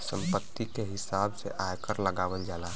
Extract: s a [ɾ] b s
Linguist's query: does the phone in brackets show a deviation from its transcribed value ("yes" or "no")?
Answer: yes